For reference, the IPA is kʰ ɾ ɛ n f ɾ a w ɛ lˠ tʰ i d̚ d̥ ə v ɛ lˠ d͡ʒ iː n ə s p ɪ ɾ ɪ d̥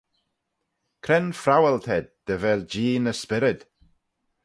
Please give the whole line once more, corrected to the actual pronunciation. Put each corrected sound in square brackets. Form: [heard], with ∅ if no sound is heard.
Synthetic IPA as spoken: kʰ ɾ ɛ n f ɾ a w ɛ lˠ tʰ [ɛ] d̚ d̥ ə v ɛ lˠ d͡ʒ iː n ə s p ɪ ɾ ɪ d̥